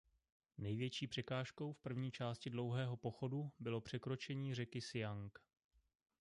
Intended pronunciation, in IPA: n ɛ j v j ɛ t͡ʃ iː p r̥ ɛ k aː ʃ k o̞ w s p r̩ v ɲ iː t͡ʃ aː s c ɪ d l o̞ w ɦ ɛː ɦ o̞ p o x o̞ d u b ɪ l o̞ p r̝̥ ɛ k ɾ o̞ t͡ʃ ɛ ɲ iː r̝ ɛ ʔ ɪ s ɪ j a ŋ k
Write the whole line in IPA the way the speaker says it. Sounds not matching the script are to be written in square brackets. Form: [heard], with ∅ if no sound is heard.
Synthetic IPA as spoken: n ɛ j v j ɛ t͡ʃ iː p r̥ ɛ k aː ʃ k o̞ w [f] p r̩ v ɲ iː t͡ʃ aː s c ɪ d l o̞ w ɦ ɛː ɦ o̞ p o x o̞ d u b ɪ l o̞ p r̝̥ ɛ k ɾ o̞ t͡ʃ ɛ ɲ iː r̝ ɛ [k] ɪ s ɪ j a ŋ k